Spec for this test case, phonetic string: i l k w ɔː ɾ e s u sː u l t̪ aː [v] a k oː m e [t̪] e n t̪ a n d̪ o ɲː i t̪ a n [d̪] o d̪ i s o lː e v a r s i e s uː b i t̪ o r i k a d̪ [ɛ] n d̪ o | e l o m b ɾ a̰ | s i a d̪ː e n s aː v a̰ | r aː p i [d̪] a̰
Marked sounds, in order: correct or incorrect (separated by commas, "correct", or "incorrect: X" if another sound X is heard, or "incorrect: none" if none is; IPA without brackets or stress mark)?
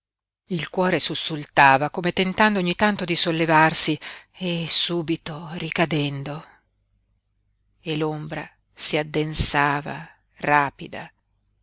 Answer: correct, correct, incorrect: t̪, correct, correct